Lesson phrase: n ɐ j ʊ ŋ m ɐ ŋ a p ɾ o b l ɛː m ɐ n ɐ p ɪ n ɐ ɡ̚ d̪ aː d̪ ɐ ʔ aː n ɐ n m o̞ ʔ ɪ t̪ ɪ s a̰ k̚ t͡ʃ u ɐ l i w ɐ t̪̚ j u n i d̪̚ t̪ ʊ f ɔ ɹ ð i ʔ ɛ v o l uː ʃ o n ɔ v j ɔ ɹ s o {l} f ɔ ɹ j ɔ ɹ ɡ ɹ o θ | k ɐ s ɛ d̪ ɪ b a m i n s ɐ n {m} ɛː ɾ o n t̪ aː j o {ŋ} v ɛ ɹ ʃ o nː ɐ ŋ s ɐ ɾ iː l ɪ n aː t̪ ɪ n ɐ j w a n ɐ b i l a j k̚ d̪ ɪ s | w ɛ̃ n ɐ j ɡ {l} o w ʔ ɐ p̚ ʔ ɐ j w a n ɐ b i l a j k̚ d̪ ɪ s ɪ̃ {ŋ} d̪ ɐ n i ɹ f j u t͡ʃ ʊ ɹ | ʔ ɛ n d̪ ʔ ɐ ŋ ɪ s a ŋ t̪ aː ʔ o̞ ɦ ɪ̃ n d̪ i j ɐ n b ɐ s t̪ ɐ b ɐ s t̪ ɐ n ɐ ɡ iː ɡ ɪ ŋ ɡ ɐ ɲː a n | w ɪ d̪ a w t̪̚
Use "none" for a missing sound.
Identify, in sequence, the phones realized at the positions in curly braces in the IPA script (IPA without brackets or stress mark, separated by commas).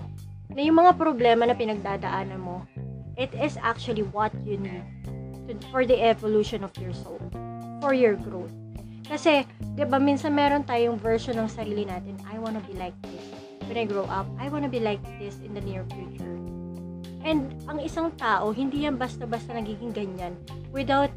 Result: l, m, ŋ, ɹ, n